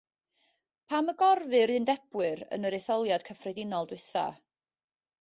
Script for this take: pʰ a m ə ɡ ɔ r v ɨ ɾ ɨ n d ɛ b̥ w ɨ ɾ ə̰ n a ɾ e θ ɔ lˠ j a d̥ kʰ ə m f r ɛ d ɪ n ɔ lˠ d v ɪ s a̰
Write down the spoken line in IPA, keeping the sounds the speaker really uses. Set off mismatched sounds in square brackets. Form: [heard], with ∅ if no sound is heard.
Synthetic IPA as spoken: pʰ a m ə ɡ ɔ r v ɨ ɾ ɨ n d ɛ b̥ w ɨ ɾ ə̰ n [ə] ɾ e θ ɔ lˠ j a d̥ kʰ ə [∅] f r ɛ d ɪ n ɔ lˠ d [w] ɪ [θ] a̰